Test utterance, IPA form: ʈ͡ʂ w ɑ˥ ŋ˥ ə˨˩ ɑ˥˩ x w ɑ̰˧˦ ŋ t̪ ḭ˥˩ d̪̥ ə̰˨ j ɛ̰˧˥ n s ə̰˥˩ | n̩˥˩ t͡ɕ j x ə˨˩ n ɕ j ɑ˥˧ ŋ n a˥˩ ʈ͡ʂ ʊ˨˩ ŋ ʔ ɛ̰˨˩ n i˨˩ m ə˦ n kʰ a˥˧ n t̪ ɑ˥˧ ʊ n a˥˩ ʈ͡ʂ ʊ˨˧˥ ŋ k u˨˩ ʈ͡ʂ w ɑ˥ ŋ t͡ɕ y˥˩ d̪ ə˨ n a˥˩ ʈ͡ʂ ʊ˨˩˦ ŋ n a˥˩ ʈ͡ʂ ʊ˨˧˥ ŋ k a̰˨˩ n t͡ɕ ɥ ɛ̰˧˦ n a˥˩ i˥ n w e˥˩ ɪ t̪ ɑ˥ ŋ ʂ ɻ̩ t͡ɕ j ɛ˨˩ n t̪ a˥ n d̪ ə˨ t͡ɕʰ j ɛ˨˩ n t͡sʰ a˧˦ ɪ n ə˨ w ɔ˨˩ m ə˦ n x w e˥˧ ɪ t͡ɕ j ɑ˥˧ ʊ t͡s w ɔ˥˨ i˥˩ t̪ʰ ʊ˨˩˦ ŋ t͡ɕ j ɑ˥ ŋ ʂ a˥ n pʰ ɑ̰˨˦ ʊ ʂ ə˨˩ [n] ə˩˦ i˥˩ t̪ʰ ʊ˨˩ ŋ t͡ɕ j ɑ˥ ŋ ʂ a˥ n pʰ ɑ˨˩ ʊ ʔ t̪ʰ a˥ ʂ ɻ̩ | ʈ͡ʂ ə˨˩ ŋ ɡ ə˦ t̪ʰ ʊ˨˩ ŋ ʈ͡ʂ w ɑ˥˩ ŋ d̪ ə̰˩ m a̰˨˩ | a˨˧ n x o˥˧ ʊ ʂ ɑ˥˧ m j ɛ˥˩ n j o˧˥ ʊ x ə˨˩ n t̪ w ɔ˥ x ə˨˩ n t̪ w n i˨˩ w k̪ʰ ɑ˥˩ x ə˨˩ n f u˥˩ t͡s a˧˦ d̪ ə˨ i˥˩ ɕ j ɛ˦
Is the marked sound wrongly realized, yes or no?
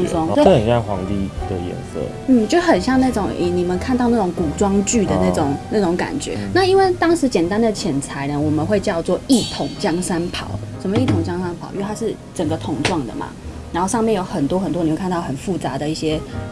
yes